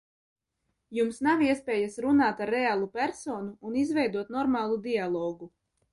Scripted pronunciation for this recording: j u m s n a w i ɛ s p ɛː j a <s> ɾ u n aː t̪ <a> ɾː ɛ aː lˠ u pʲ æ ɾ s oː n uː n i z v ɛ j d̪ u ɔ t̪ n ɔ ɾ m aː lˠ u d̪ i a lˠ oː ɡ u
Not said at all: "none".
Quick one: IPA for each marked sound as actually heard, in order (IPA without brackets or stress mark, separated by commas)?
s, a